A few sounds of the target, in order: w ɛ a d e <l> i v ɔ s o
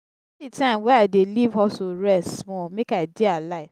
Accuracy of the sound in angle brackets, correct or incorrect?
correct